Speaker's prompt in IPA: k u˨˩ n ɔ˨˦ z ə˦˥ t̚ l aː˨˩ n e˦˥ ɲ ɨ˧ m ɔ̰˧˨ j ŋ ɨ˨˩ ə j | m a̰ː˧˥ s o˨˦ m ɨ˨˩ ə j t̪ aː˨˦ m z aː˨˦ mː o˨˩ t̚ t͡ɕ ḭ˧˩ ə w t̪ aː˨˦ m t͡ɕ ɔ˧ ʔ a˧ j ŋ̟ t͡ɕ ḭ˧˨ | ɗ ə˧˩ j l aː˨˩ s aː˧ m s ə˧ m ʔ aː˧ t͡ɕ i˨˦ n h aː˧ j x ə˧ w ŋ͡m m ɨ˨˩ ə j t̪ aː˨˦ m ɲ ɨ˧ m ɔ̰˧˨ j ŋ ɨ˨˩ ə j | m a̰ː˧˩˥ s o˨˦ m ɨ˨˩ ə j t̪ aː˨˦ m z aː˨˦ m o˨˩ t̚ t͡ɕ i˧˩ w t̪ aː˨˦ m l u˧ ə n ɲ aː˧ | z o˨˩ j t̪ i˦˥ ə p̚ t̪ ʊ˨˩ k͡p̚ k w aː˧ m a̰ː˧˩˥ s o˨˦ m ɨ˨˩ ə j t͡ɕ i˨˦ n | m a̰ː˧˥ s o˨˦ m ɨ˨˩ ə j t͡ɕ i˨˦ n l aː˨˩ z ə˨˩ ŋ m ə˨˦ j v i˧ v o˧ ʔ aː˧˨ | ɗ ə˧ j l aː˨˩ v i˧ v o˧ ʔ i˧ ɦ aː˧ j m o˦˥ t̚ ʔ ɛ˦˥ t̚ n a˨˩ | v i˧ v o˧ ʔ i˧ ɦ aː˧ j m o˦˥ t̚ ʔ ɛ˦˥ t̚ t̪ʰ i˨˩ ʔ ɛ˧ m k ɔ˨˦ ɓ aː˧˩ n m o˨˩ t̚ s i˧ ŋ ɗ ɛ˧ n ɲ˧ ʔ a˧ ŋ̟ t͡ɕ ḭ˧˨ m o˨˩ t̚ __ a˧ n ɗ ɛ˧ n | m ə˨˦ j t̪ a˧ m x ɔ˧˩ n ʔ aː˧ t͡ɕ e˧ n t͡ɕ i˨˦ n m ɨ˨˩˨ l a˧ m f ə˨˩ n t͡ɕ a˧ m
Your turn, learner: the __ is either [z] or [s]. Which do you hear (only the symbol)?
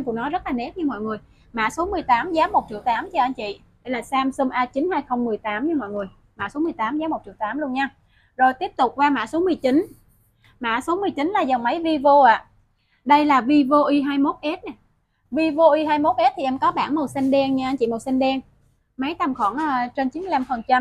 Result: s